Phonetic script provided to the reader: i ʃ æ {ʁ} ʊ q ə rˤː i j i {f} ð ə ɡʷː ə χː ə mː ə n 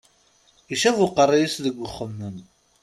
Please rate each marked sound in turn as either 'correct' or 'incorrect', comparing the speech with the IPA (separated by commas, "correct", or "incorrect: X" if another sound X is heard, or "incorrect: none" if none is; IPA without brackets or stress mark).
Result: incorrect: v, incorrect: s